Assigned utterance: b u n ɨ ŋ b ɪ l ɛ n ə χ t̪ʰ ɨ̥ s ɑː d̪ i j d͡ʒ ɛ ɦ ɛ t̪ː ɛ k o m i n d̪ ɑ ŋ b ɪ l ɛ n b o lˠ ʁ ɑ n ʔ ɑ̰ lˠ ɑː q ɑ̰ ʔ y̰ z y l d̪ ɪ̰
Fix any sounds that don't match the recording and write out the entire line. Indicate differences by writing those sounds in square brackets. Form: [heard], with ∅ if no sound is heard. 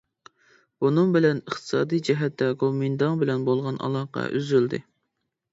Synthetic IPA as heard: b u n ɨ ŋ b ɪ l ɛ n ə χ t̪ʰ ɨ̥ s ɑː d̪ i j d͡ʒ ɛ ɦ ɛ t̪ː ɛ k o m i n d̪ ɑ ŋ b ɪ l ɛ n b o lˠ ʁ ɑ n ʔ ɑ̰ lˠ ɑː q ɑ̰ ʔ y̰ z y l d̪ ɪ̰